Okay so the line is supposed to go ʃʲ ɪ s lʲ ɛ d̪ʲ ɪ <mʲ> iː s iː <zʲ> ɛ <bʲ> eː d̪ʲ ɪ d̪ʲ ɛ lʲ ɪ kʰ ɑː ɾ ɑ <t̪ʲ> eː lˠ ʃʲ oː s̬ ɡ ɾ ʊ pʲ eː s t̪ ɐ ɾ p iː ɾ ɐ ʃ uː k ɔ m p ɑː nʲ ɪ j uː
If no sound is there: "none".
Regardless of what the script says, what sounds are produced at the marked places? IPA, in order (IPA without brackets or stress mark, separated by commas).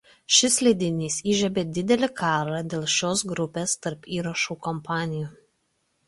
nʲ, ʒʲ, bʲ, d̪ʲ